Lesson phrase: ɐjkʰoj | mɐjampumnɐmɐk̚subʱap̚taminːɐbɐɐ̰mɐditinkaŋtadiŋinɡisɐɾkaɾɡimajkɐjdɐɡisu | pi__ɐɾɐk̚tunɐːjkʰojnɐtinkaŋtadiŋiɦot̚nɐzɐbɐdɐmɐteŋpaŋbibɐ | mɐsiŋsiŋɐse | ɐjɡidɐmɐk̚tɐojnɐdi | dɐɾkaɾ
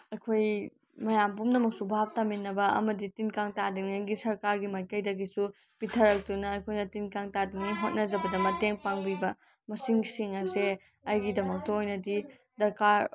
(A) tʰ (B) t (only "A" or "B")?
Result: A